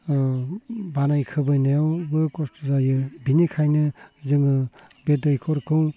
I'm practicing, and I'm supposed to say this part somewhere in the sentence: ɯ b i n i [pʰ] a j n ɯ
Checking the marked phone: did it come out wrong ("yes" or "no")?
yes